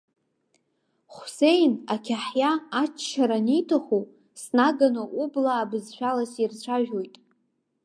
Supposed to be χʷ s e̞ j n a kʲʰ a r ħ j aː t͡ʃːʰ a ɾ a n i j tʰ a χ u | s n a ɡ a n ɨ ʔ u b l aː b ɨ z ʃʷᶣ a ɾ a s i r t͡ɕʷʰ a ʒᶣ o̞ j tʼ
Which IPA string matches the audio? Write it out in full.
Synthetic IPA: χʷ s e̞ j n a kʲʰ a ħ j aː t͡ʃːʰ a ɾ a n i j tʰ a χ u | s n a ɡ a n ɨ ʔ u b l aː b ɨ z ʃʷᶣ a l a s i r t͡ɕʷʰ a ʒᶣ o̞ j tʼ